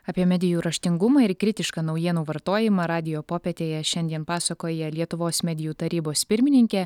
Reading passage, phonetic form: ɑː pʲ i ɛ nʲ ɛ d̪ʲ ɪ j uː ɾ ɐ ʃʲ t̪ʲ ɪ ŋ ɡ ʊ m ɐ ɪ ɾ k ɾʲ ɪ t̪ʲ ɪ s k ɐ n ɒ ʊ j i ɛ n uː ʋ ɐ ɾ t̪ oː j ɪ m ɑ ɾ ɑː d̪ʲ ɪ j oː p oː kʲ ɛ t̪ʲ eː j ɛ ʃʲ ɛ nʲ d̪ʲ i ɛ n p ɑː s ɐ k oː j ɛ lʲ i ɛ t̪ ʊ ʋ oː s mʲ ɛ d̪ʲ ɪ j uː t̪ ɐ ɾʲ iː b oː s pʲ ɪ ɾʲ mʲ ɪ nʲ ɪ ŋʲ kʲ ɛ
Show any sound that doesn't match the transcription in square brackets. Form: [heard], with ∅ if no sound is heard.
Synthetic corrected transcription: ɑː pʲ i ɛ [mʲ] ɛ d̪ʲ ɪ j uː ɾ ɐ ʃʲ t̪ʲ ɪ ŋ ɡ ʊ m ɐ ɪ ɾ k ɾʲ ɪ t̪ʲ ɪ [ʃ] k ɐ n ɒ ʊ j i ɛ n uː ʋ ɐ ɾ t̪ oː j ɪ m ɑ ɾ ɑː d̪ʲ ɪ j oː p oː [pʲ] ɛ t̪ʲ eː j ɛ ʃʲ ɛ nʲ d̪ʲ i ɛ n p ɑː s ɐ k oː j ɛ lʲ i ɛ t̪ ʊ ʋ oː s mʲ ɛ d̪ʲ ɪ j uː t̪ ɐ ɾʲ iː b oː s pʲ ɪ ɾʲ mʲ ɪ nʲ ɪ ŋʲ kʲ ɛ